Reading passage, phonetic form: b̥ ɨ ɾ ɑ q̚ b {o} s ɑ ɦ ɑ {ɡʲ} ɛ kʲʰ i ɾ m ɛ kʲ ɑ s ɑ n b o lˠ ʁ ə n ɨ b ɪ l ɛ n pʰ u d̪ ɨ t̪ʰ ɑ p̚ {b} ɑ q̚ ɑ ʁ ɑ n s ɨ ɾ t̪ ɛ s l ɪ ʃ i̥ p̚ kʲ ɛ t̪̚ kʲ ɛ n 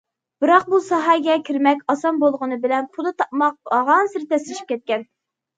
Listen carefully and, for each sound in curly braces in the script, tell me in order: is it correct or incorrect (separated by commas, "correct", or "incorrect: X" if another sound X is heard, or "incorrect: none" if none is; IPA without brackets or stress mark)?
incorrect: u, correct, incorrect: m